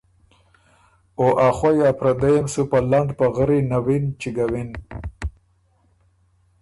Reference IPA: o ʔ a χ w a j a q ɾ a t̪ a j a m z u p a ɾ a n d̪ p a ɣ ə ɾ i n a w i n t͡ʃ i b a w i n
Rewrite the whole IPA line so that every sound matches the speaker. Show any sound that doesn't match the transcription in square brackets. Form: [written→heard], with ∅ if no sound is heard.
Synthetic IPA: o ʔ a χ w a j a [q→p] ɾ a [t̪→d̪] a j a m [z→s] u p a [ɾ→l] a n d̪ p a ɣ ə ɾ i n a w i n t͡ʃ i [b→ɡ] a w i n